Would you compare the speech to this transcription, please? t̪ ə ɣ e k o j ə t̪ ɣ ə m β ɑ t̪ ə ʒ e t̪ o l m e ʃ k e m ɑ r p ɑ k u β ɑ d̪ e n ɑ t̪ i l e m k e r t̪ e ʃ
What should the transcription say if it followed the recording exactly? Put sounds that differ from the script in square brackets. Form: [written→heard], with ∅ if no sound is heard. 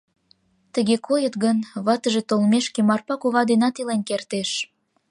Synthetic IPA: t̪ ə ɣ e k o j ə t̪ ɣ ə [m→n] β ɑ t̪ ə ʒ e t̪ o l m e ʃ k e m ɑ r p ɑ k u β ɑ d̪ e n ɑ t̪ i l e [m→n] k e r t̪ e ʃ